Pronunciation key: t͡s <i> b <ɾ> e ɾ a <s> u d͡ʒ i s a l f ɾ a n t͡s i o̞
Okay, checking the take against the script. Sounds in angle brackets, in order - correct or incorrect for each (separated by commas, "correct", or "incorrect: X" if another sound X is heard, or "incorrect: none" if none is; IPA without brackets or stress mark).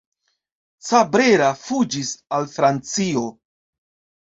incorrect: a, correct, incorrect: f